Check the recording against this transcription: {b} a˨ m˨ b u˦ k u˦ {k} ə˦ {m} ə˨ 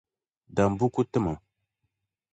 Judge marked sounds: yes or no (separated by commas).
no, no, yes